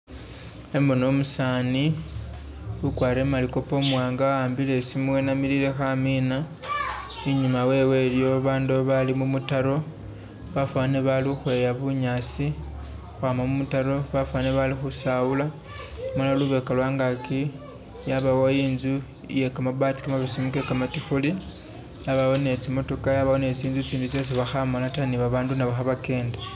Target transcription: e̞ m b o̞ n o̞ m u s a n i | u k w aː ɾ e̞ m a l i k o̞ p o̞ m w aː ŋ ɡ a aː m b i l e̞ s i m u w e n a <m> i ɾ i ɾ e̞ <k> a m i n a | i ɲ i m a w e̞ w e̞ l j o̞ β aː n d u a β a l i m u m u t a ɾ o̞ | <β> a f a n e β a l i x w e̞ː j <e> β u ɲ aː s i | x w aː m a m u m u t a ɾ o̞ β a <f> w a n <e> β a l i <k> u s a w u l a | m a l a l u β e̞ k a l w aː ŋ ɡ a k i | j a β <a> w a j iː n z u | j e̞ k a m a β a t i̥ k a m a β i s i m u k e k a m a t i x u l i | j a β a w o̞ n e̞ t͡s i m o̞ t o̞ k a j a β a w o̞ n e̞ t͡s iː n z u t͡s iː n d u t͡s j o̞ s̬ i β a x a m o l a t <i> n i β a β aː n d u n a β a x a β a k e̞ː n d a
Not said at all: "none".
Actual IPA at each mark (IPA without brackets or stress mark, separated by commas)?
m, x, β, a, f, e, x, a, a